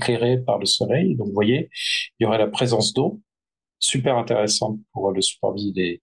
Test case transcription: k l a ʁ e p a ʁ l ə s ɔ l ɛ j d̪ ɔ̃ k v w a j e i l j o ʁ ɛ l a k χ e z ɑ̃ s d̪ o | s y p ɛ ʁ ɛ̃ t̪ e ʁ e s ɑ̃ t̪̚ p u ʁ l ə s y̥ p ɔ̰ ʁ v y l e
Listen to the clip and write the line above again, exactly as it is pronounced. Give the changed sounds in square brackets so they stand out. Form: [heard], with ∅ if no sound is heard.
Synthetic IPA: k l [e] ʁ e p a ʁ l ə s ɔ l ɛ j d̪ ɔ̃ k v w a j e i l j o ʁ ɛ l a [p] χ e z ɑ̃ s d̪ o | s y p ɛ ʁ ɛ̃ t̪ e ʁ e s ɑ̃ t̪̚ p u ʁ l ə s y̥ p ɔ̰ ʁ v [i] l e